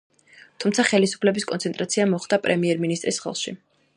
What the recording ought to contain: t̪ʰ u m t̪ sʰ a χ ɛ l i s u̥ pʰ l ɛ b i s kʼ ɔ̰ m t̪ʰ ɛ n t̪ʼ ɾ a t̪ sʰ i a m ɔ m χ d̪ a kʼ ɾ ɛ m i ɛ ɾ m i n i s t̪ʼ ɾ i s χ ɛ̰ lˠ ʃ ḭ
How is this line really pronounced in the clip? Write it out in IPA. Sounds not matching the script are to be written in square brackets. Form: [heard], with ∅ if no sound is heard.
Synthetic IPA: t̪ʰ u m t̪ sʰ a χ ɛ l i s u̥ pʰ l ɛ b i s kʼ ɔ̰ [n] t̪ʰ ɛ n t̪ʼ ɾ a t̪ sʰ i a m ɔ [∅] χ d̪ a [pʼ] ɾ ɛ m i ɛ ɾ m i n i s t̪ʼ ɾ i s χ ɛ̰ lˠ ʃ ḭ